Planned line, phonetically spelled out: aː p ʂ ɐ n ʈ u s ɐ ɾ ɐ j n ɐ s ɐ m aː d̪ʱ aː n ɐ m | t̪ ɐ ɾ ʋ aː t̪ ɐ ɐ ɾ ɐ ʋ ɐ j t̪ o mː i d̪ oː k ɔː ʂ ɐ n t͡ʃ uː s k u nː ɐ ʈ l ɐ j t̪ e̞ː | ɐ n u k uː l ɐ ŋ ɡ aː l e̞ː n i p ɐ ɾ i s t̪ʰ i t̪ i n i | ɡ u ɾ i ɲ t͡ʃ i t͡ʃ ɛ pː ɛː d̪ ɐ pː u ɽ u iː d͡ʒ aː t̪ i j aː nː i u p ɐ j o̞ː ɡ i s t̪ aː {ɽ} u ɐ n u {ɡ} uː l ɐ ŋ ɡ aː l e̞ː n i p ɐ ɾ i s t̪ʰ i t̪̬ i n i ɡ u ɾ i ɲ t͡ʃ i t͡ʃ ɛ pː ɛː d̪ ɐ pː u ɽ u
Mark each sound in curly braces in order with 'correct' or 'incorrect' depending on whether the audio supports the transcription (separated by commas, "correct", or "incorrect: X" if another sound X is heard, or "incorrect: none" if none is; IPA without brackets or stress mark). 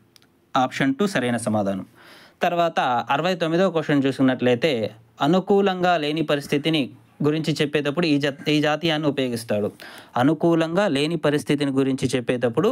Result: correct, incorrect: k